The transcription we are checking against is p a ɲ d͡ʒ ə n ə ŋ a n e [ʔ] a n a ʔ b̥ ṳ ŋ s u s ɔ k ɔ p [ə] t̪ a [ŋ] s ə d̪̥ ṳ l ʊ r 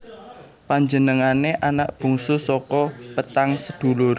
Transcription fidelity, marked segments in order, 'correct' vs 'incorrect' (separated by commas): correct, correct, correct